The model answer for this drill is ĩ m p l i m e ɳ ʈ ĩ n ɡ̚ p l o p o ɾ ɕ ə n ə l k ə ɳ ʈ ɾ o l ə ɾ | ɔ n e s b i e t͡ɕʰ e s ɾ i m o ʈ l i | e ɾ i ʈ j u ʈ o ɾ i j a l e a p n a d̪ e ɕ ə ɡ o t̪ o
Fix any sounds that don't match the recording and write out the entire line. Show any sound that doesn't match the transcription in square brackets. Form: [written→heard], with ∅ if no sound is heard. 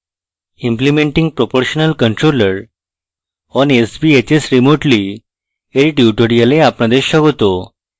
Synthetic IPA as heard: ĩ m p l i m e ɳ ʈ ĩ [n→ŋ] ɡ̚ p [l→ɾ] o p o ɾ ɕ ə n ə l k ə ɳ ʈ ɾ o l ə ɾ | ɔ n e s b i e [t͡ɕʰ→t͡ɕ] e s ɾ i m o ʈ l i | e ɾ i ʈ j u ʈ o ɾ i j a l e a p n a d̪ e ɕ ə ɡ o t̪ o

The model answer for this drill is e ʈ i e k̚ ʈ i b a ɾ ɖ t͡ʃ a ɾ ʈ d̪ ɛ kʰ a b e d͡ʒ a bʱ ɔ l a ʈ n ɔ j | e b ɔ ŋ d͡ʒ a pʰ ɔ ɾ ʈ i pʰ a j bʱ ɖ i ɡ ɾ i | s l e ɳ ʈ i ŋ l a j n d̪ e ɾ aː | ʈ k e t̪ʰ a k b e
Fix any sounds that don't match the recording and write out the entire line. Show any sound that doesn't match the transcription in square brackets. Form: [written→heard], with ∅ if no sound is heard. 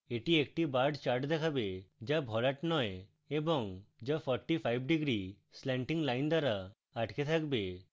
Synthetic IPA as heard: e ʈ i e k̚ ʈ i b a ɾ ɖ t͡ʃ a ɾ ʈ d̪ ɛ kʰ a b e d͡ʒ a bʱ ɔ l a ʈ n ɔ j | e b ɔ ŋ d͡ʒ a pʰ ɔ ɾ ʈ i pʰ a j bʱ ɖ i ɡ ɾ i | s l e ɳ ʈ i ŋ l a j n d̪ [e→a] ɾ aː | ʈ k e t̪ʰ a k b e

